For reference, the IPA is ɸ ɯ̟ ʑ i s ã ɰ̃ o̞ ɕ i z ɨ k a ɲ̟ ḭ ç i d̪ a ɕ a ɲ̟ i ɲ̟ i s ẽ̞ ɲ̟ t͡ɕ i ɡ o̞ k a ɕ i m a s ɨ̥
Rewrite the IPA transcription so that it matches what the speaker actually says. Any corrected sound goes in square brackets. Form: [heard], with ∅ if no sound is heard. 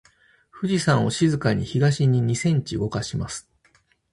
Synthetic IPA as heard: ɸ ɯ̟ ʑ i s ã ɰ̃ o̞ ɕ i z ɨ k a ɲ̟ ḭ ç i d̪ a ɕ [i] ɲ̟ i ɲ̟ i s ẽ̞ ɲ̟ t͡ɕ i ɡ o̞ k a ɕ i m a s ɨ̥